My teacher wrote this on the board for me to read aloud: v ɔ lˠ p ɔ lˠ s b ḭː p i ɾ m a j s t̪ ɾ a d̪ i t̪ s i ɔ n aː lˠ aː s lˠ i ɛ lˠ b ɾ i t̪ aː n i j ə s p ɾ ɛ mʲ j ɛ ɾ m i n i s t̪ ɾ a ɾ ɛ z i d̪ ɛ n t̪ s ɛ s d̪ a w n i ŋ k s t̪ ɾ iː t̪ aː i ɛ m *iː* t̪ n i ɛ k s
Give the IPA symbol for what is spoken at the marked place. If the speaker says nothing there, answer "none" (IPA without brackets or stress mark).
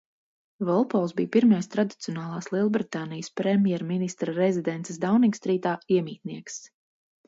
iː